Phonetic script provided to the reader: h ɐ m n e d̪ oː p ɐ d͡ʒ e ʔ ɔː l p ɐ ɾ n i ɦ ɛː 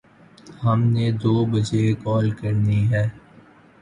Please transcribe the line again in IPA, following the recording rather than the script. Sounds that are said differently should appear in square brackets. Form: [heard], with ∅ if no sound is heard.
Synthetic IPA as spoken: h ɐ m n e d̪ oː [b] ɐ d͡ʒ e [k] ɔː l [k] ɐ ɾ n i ɦ ɛː